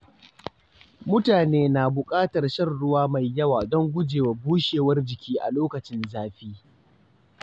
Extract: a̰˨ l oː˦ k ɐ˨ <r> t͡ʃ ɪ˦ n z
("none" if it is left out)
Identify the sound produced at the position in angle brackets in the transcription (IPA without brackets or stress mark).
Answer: none